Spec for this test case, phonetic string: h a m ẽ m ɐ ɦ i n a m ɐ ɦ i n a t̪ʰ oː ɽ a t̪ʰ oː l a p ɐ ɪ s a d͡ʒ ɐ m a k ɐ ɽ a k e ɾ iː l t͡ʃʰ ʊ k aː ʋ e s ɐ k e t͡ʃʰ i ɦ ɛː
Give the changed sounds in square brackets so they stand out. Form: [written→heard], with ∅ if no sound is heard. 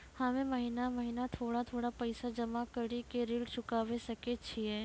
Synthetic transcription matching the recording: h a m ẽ m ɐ ɦ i n a m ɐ ɦ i n a t̪ʰ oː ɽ a t̪ʰ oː [l→ɽ] a p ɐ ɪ s a d͡ʒ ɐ m a k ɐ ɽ [a→i] k e ɾ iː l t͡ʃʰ ʊ k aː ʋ e s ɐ k e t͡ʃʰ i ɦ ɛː